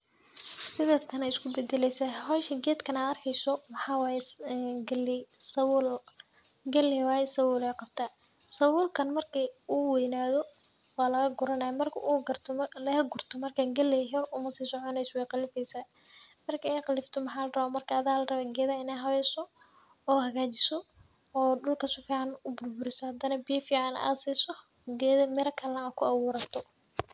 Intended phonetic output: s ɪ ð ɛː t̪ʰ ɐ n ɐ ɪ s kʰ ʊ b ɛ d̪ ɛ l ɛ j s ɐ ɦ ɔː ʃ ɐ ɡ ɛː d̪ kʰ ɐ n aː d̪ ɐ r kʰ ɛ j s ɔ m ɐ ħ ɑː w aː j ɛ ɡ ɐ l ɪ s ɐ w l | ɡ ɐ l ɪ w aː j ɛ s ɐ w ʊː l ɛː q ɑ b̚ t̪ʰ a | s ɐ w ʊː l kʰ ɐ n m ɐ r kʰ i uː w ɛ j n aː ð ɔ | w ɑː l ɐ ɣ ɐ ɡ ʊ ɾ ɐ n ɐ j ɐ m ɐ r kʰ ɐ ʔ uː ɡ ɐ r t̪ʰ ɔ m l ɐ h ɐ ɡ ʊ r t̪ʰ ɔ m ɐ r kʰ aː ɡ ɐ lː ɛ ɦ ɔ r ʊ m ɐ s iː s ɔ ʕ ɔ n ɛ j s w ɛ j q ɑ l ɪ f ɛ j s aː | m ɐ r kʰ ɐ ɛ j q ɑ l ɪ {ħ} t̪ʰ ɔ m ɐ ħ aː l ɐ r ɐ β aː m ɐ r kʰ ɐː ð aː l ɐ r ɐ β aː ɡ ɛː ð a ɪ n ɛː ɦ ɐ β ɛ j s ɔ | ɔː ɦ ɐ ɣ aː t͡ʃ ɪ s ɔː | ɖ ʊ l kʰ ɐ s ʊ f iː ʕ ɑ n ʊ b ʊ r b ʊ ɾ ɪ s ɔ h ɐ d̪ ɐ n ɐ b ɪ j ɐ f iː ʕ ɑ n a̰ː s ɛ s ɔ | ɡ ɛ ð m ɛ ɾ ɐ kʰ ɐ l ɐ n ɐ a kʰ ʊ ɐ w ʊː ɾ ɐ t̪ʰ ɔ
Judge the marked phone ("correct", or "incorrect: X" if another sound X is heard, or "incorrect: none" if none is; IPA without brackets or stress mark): incorrect: f